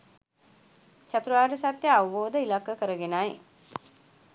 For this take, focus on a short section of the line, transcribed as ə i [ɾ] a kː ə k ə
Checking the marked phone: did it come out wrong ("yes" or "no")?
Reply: yes